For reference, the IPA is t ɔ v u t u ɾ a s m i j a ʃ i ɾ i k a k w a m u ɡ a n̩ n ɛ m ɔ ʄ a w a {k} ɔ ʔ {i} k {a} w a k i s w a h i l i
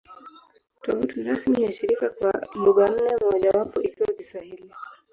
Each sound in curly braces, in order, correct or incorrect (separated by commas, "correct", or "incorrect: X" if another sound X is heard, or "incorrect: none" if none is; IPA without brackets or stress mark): incorrect: p, correct, incorrect: i